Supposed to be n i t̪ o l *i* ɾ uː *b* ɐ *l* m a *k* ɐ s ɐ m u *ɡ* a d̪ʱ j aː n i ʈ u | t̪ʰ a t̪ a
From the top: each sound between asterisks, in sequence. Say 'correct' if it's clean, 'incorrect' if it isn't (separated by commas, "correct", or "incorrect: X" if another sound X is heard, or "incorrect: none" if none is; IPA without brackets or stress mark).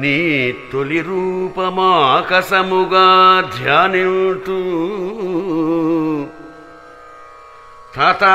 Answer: correct, incorrect: p, incorrect: none, correct, correct